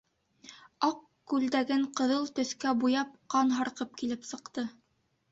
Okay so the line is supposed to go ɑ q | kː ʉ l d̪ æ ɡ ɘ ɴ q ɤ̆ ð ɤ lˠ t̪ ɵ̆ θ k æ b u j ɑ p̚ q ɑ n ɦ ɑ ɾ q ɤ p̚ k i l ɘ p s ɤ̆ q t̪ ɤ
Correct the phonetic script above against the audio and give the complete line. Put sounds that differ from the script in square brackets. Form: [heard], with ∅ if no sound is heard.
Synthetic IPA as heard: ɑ q | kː ʉ l d̪ æ ɡ ɘ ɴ q ɤ̆ ð ɤ lˠ t̪ ɵ̆ θ k æ b u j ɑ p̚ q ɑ n ɦ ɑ ɾ q ɤ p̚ k i l ɘ p s ɤ̆ q t̪ ɤ